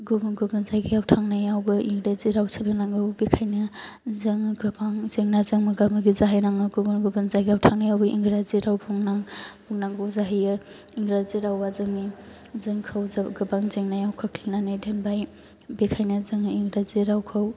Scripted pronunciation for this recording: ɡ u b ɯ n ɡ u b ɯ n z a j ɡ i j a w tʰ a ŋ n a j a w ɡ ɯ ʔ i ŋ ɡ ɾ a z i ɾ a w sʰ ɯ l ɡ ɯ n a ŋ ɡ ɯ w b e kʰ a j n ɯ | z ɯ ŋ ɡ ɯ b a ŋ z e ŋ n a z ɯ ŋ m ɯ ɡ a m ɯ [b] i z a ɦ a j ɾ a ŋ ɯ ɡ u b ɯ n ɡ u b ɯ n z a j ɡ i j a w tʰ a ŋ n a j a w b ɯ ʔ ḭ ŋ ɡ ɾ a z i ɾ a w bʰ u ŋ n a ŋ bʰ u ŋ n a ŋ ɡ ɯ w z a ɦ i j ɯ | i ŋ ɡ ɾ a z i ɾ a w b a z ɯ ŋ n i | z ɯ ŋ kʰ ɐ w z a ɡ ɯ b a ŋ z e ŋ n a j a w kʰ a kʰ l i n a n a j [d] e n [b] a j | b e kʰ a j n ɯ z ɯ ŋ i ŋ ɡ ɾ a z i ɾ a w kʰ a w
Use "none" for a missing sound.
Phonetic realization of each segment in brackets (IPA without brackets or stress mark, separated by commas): ɡ, d, b